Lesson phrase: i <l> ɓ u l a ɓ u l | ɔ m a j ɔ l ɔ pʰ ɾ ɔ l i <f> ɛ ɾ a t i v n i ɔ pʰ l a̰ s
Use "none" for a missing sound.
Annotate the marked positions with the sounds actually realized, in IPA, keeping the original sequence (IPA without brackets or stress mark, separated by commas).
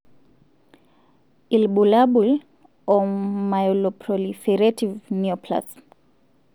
l, f